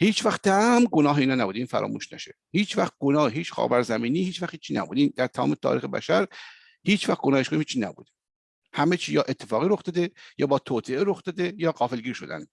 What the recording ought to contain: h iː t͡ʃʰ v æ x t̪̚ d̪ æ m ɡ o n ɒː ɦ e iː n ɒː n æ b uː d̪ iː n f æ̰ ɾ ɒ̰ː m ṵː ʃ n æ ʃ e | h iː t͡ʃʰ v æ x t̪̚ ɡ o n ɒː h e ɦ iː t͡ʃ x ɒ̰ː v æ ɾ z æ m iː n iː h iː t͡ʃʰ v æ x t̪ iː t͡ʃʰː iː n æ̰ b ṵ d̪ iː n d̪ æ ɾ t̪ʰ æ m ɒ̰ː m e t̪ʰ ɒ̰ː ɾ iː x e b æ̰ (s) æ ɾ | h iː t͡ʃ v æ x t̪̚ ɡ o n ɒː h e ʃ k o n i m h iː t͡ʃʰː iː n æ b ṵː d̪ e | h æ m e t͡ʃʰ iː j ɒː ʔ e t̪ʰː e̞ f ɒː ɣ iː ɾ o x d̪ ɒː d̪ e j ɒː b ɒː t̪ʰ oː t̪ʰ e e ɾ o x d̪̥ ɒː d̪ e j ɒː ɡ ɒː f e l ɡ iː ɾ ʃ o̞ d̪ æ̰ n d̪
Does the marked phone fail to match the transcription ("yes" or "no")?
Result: yes